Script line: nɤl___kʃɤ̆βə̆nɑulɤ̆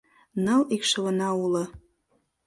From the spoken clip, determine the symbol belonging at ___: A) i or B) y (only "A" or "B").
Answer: A